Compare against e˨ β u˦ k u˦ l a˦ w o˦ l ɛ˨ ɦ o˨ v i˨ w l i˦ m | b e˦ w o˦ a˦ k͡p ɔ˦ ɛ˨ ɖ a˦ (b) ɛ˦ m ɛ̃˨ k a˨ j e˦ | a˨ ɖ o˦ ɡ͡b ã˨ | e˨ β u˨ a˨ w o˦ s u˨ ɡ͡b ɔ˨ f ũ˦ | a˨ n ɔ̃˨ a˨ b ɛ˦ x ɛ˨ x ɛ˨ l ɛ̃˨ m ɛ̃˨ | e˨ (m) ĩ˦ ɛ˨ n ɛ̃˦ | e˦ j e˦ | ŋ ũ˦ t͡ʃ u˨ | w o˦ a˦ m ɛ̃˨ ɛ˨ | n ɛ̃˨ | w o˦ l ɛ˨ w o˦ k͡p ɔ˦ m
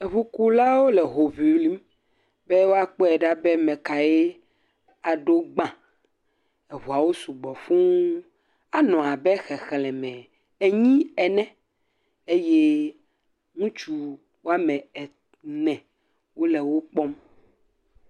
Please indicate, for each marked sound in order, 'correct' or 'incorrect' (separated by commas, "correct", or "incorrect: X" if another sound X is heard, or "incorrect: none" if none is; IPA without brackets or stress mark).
correct, incorrect: ɲ